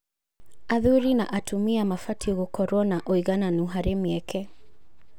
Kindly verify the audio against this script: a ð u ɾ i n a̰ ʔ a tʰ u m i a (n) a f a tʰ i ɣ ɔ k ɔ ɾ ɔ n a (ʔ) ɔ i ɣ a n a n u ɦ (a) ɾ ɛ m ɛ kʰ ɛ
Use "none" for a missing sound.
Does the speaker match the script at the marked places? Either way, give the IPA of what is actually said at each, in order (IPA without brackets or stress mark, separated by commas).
m, ʔ, a